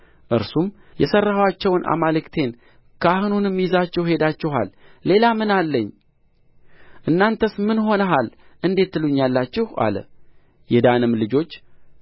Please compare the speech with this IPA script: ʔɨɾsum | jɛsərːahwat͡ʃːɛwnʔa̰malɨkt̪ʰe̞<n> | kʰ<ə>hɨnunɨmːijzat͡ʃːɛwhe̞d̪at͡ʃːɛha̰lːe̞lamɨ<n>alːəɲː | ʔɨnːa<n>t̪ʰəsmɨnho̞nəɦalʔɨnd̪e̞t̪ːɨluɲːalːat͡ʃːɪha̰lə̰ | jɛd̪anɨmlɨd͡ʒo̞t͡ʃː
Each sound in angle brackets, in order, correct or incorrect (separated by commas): correct, incorrect, correct, correct